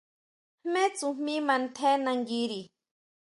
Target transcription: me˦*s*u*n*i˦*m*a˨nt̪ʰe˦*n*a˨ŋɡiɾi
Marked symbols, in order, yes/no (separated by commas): no, no, yes, yes